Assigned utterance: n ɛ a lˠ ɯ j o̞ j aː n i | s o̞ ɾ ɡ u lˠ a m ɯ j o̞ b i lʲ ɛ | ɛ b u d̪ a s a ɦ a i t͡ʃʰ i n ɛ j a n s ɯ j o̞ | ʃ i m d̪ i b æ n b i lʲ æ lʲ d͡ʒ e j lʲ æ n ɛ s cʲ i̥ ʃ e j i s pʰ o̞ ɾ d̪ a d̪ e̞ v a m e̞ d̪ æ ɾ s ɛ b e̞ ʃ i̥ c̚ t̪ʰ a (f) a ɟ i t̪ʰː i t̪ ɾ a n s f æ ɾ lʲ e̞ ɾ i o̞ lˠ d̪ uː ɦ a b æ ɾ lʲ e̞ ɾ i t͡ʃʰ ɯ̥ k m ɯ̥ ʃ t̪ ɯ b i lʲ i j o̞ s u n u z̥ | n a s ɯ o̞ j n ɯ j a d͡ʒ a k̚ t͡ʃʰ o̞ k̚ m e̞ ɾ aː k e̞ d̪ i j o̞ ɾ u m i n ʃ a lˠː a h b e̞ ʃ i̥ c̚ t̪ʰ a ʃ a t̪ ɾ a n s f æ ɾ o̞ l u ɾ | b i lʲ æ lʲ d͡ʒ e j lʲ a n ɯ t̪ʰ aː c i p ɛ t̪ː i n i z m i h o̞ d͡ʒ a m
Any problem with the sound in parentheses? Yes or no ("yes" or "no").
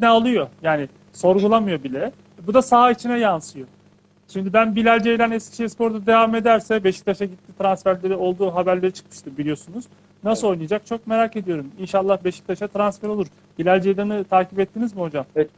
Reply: yes